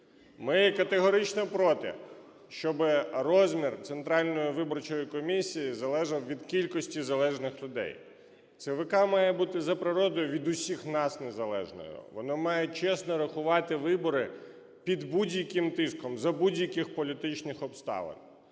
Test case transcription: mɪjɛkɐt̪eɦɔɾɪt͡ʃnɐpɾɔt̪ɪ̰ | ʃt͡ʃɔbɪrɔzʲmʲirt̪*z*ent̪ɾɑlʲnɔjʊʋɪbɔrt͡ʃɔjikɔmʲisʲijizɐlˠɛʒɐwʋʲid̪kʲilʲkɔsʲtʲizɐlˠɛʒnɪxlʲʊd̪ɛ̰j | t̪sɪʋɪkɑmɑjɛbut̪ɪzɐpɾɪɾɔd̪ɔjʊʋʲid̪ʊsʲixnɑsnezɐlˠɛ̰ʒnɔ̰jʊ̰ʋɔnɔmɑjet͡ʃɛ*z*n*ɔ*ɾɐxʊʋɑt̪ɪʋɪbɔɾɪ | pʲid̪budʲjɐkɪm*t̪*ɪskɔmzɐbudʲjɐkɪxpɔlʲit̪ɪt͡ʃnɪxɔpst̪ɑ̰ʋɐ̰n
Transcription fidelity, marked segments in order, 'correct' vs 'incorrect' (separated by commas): incorrect, incorrect, correct, correct